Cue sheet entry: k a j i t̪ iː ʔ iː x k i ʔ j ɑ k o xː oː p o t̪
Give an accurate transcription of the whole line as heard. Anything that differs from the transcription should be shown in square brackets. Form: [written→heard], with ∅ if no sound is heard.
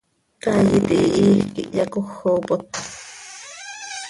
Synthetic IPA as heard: k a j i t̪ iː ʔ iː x k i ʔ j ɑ k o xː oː p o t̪